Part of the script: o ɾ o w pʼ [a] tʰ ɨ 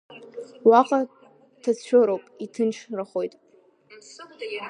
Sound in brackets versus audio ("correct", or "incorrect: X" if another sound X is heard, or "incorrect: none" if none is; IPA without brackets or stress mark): incorrect: i